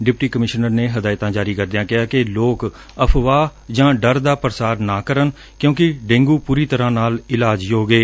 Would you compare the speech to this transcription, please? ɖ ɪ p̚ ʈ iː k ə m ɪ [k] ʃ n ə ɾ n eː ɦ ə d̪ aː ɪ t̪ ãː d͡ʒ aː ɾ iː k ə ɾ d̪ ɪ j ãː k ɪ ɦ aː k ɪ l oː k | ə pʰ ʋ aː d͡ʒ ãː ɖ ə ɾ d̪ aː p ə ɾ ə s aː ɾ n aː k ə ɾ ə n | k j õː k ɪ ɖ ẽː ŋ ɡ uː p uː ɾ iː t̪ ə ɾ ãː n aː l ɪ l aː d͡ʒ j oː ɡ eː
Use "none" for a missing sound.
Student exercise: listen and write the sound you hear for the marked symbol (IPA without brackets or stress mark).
none